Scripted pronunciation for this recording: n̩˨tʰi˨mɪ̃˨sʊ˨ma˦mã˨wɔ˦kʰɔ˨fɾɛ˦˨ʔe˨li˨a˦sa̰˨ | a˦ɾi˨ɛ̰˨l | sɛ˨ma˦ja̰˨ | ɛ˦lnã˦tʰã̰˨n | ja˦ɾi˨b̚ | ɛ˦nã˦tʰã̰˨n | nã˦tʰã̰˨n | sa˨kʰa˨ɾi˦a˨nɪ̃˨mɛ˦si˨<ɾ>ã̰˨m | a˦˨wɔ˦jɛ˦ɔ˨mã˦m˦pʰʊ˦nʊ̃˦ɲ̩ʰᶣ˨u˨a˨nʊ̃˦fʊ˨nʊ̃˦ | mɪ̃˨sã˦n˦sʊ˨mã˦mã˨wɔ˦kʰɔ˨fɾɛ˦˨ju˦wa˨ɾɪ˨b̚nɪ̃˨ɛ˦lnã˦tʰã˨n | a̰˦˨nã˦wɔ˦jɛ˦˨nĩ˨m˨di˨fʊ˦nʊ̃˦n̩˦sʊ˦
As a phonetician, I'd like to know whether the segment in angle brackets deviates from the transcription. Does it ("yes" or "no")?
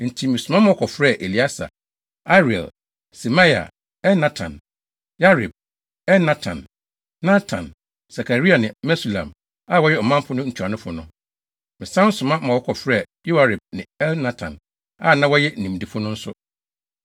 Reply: yes